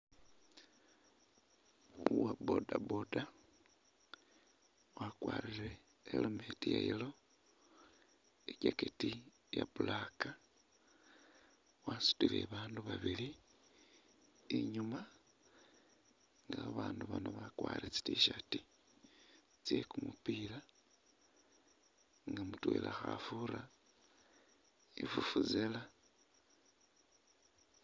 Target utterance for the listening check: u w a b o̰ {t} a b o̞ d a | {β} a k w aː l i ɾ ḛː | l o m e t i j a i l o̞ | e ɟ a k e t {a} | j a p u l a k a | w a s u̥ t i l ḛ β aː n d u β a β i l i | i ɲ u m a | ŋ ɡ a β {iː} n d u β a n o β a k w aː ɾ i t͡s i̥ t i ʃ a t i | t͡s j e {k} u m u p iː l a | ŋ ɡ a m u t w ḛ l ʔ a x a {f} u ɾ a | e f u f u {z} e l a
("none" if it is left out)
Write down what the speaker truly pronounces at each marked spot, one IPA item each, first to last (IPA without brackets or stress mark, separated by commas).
d, w, i, aː, k, f, z